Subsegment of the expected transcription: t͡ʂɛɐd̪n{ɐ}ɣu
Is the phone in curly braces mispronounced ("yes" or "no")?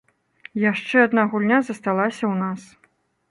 yes